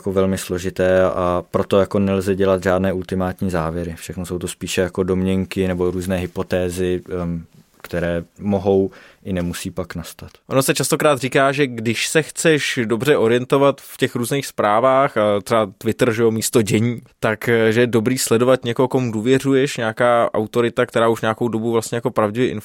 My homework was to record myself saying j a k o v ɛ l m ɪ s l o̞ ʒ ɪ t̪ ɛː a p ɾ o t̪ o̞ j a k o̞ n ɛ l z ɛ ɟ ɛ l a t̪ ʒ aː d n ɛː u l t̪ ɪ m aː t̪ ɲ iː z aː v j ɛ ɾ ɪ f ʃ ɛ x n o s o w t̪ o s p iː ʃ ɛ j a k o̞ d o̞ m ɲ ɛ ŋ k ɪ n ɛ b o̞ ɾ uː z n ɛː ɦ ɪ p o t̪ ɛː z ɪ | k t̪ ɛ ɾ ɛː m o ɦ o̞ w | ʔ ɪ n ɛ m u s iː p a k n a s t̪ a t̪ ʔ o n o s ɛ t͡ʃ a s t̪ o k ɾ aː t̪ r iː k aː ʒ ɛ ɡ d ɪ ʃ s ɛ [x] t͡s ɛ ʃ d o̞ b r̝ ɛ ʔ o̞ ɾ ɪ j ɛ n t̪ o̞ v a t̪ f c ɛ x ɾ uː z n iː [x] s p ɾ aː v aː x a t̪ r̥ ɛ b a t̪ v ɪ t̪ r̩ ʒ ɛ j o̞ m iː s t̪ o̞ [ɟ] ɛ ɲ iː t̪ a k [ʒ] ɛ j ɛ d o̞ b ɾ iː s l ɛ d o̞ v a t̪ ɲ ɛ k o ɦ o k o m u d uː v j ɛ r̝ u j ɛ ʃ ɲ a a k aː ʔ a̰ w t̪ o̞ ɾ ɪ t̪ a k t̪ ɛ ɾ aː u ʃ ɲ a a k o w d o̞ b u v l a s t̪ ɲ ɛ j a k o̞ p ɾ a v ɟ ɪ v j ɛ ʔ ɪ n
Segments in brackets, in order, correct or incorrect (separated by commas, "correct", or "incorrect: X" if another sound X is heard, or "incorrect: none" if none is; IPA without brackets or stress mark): correct, correct, correct, correct